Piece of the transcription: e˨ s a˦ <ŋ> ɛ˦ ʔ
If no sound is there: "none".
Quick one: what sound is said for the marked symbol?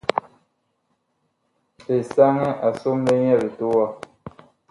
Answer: ŋ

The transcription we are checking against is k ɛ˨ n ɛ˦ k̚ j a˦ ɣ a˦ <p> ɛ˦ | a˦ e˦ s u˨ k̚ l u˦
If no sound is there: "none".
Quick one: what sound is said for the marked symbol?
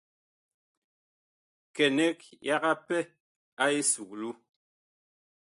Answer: p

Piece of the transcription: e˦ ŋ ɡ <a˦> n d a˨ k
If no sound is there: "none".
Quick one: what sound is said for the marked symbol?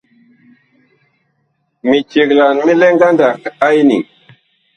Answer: a˦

